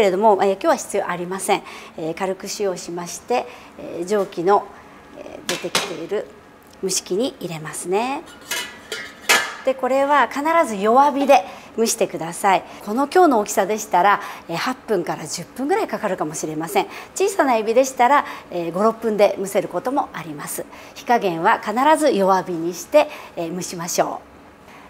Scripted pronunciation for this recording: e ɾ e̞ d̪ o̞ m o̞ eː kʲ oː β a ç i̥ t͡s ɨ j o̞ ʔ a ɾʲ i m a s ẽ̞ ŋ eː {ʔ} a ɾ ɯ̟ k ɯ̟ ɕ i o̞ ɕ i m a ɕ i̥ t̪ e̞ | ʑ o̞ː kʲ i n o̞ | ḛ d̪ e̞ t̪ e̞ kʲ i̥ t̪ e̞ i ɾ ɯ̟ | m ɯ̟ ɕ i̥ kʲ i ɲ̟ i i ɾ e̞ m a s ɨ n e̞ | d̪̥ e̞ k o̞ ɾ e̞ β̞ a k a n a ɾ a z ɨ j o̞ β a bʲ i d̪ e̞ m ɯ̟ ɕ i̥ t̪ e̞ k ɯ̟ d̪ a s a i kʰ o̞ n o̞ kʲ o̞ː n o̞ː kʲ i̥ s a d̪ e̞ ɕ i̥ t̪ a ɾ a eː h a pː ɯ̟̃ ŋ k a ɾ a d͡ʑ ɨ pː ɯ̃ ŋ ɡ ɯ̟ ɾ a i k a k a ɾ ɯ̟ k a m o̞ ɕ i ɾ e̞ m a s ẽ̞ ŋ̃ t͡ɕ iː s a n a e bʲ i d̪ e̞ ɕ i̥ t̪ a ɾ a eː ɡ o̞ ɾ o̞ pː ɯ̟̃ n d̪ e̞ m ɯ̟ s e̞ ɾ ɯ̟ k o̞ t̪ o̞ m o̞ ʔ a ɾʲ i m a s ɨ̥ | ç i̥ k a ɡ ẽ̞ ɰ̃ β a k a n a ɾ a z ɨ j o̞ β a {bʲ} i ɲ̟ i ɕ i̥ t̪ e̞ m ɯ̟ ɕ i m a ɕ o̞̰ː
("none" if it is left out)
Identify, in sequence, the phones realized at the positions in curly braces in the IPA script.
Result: k, bʲ

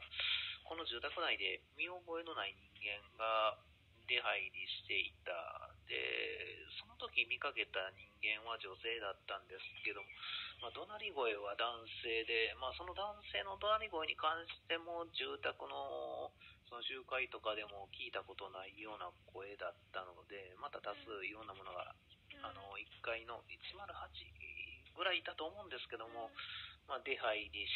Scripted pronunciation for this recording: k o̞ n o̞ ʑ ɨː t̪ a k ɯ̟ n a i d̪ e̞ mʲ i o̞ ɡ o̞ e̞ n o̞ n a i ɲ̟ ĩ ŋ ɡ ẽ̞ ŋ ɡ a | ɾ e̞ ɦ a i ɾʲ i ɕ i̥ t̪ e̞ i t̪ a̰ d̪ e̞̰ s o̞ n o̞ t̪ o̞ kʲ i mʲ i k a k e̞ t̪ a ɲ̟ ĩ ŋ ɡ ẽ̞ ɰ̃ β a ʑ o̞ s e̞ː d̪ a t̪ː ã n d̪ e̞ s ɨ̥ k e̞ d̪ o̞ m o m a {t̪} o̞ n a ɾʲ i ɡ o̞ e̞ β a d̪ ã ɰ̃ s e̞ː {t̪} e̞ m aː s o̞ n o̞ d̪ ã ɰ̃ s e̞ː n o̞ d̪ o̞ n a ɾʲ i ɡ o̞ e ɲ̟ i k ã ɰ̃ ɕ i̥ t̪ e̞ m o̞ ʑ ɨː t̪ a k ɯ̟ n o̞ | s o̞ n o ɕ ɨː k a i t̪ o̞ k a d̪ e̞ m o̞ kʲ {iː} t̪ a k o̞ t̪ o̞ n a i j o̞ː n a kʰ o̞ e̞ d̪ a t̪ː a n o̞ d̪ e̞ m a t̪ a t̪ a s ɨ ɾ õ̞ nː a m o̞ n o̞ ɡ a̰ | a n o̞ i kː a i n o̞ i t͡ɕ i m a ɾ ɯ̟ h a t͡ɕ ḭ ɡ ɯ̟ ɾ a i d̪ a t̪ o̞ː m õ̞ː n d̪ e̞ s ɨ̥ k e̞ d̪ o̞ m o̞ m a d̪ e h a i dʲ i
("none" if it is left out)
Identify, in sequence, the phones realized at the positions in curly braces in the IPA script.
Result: d̪, d̪, iː

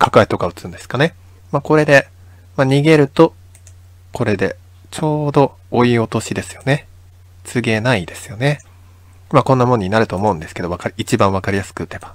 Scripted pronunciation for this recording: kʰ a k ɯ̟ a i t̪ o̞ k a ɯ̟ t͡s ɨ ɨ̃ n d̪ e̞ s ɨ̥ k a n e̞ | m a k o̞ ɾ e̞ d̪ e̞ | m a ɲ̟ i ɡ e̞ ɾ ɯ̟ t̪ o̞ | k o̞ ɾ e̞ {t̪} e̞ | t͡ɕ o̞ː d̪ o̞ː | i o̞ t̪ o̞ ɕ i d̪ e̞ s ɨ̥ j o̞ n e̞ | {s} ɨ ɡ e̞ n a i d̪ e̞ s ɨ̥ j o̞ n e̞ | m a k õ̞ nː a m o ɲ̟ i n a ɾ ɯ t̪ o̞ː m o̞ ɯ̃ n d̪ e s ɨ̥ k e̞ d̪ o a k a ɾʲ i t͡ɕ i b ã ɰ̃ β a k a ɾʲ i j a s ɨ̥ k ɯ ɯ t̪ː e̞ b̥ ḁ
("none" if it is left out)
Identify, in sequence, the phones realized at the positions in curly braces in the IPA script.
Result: d̪, t͡s

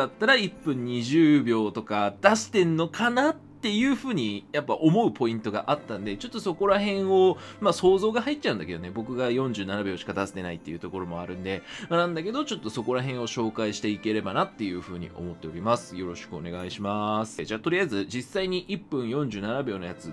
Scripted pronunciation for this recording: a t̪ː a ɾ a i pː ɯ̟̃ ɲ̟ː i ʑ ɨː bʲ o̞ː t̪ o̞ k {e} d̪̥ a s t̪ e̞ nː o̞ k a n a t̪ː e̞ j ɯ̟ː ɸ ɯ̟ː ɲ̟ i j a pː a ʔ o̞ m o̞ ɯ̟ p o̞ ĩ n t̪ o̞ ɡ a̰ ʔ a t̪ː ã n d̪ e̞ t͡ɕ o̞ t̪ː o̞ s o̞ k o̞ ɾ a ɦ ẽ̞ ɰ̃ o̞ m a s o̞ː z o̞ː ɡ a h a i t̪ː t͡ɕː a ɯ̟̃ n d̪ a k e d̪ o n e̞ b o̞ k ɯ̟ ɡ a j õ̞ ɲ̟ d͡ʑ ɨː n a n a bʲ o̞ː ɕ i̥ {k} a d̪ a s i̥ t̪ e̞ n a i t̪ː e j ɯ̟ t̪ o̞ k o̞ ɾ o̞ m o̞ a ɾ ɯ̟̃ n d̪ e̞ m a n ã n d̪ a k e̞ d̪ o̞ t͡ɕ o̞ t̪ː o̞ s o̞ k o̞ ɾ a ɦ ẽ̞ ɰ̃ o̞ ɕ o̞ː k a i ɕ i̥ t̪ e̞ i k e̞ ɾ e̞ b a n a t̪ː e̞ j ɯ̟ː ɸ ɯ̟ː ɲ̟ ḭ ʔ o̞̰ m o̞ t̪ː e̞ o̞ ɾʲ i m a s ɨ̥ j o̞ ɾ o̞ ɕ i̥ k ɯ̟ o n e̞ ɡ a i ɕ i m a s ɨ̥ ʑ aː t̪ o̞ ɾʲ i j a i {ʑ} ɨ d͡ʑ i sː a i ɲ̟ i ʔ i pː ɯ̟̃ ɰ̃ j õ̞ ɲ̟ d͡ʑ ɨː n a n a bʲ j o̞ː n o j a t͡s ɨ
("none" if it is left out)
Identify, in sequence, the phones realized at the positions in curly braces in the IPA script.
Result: a, k, z

